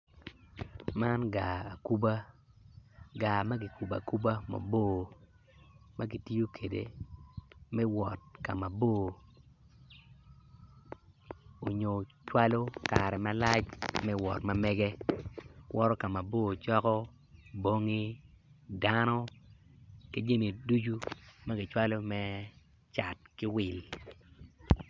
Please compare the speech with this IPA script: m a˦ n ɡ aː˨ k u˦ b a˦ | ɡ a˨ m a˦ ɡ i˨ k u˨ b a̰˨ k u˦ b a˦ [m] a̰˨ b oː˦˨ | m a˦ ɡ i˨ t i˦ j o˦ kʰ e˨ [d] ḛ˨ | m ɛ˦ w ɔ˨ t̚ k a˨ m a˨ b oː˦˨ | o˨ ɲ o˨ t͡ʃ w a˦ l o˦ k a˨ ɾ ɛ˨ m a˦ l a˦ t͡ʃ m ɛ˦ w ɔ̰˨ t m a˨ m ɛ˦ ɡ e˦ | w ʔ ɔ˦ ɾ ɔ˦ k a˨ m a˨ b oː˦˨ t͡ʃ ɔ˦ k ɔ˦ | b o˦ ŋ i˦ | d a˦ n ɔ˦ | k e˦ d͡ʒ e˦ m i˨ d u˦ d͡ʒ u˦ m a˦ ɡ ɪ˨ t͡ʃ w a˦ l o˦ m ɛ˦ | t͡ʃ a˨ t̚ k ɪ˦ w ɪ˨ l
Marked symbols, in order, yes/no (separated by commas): yes, yes